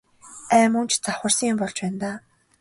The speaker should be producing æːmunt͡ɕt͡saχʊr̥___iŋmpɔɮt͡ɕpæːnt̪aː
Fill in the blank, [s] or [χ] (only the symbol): s